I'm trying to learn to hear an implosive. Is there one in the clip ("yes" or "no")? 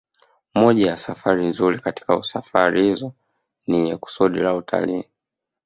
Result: yes